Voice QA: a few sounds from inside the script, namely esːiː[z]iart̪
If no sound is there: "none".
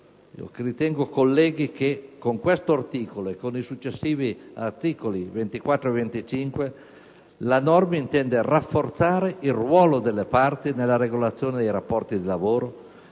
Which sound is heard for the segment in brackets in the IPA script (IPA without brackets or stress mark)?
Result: v